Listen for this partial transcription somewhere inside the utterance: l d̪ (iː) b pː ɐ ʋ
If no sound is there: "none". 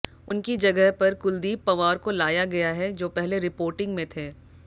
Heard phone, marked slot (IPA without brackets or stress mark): iː